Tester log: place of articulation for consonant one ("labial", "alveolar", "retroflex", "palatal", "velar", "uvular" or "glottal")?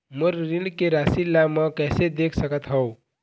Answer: labial